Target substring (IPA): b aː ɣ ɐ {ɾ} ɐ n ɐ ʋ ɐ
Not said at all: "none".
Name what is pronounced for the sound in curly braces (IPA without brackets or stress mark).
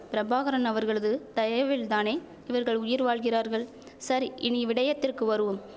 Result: ɾ